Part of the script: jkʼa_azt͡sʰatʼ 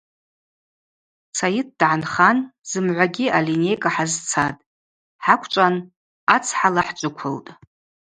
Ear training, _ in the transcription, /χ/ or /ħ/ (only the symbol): ħ